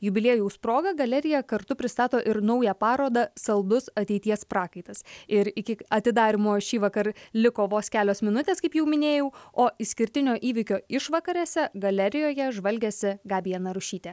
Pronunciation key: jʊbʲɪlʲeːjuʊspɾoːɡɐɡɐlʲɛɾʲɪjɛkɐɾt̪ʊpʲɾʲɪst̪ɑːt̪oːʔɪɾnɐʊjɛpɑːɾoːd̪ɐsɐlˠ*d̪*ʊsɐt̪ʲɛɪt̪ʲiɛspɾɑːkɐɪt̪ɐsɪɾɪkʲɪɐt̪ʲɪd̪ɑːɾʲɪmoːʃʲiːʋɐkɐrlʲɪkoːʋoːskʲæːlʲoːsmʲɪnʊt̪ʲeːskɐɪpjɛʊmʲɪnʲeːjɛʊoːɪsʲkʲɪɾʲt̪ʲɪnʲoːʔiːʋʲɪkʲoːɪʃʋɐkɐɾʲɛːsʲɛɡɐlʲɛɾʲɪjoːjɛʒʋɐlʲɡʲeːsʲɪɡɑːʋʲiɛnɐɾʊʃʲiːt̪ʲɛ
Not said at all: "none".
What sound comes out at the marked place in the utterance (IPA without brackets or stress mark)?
d̪